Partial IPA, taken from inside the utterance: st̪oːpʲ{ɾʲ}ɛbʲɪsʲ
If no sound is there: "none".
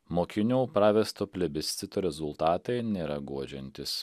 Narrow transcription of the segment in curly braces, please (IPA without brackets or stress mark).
lʲ